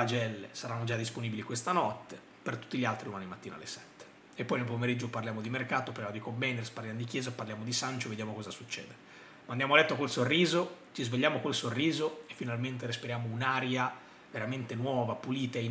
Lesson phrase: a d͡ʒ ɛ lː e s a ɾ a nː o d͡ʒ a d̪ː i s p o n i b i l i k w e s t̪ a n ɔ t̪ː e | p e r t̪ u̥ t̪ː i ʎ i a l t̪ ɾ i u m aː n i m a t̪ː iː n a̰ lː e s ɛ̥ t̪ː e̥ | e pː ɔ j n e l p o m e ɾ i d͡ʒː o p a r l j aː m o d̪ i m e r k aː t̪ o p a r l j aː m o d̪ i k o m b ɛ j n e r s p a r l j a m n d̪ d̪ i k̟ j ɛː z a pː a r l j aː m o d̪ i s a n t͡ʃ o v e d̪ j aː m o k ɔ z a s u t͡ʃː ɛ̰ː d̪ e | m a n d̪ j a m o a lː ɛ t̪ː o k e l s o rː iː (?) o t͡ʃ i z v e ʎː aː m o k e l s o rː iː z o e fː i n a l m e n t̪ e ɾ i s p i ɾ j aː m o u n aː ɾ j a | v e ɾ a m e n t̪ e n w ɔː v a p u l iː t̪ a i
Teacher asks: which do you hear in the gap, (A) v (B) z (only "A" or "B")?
B